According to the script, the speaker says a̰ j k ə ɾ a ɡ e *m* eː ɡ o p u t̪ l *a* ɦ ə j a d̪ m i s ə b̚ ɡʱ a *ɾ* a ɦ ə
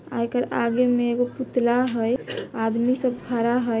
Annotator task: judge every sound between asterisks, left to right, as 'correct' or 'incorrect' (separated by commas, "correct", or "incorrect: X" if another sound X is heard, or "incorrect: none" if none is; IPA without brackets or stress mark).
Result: correct, correct, correct